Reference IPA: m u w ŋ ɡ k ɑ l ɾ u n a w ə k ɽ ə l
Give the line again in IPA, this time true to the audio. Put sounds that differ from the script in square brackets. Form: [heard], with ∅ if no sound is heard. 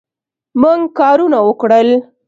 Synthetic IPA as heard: m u [∅] ŋ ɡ k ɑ [∅] ɾ u n a w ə k ɽ ə l